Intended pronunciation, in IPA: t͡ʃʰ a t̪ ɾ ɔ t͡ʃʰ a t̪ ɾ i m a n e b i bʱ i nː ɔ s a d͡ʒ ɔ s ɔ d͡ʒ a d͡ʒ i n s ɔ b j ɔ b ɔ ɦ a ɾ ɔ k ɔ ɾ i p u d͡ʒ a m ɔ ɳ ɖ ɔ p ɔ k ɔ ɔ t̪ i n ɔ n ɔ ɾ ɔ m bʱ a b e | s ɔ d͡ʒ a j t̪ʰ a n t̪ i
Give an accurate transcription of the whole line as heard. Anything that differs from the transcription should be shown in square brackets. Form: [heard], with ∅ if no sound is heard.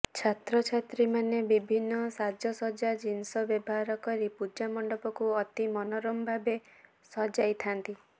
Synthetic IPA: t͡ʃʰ a t̪ ɾ ɔ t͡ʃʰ a t̪ ɾ i m a n e b i bʱ i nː ɔ s a d͡ʒ ɔ s ɔ d͡ʒ a d͡ʒ i n s ɔ b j ɔ b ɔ ɦ a ɾ ɔ k ɔ ɾ i p u d͡ʒ a m ɔ ɳ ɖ ɔ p ɔ k [u] ɔ t̪ i [m] ɔ n ɔ ɾ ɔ m bʱ a b e | s ɔ d͡ʒ a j t̪ʰ a n t̪ i